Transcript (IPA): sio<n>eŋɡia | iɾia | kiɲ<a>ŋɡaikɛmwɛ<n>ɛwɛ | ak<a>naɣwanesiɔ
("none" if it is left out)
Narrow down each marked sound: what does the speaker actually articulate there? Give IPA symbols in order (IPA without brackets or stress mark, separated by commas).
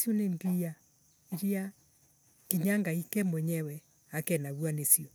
n, a, ɲ, ɛ